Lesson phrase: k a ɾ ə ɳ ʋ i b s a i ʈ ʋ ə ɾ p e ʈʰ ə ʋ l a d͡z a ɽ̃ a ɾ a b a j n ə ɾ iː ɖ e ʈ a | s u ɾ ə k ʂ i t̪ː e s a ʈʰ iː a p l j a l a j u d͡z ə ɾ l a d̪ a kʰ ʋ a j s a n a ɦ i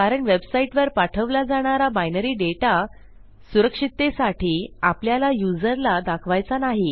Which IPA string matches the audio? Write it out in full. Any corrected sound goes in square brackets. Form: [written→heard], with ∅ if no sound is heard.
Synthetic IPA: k a ɾ ə ɳ ʋ [i→e] b s a i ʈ ʋ ə ɾ p [e→a] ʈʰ ə ʋ l a d͡z a ɽ̃ a ɾ a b a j n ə ɾ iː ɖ e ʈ a | s u ɾ ə k ʂ i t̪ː e s a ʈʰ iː a p l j a l a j u d͡z ə ɾ l a d̪ a kʰ ʋ a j [s→t͡s] a n a ɦ i